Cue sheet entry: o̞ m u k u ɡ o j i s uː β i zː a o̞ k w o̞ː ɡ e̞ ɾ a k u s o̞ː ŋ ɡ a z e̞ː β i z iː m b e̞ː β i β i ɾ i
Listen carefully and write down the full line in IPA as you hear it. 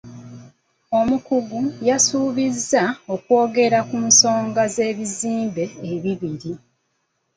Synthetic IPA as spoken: o̞ m u k u ɡ u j a s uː β i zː a o̞ k w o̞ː ɡ e̞ ɾ a k u s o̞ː ŋ ɡ a z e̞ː β i z iː m b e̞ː β i β i ɾ i